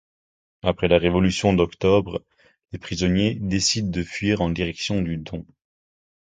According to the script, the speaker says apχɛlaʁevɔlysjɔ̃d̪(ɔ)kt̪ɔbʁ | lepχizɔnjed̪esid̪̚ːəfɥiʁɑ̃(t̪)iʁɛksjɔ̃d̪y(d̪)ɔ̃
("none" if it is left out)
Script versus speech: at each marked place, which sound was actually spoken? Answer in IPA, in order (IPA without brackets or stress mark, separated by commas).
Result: ɔ, d̪, d̪